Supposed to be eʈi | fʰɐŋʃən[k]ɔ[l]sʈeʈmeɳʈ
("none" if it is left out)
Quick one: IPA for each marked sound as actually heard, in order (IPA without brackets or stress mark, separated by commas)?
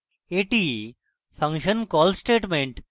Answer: k, l